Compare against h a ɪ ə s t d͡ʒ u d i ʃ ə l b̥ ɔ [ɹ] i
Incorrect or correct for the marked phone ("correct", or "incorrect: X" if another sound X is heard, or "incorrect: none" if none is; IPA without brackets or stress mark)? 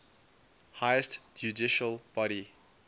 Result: incorrect: ɾ